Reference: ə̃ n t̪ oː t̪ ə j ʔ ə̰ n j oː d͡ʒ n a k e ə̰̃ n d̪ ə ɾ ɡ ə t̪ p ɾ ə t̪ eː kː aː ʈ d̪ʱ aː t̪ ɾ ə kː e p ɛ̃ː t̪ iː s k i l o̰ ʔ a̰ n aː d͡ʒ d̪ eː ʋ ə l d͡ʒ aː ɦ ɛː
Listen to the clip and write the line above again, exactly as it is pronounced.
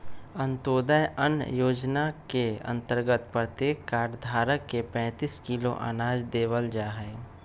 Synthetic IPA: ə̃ n t̪ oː d̪ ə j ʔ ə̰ n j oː d͡ʒ n a k e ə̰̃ n t̪ ə ɾ ɡ ə t̪ p ɾ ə t̪ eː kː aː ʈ d̪ʱ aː ɾ ə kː e p ɛ̃ː t̪ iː s k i l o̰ ʔ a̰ n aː d͡ʒ d̪ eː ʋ ə l d͡ʒ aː ɦ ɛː